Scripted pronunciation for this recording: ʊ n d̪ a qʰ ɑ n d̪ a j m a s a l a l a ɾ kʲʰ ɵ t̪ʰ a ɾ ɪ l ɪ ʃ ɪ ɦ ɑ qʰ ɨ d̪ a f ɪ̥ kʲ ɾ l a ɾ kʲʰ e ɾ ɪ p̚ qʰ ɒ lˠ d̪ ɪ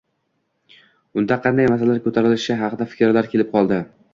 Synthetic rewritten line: ʊ n d̪ a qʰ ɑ n d̪ a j m a s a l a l a ɾ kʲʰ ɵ t̪ʰ a ɾ ɪ l ɪ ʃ ɪ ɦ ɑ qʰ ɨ d̪ a f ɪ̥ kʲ ɾ l a ɾ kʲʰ e l ɪ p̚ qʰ ɒ lˠ d̪ ɪ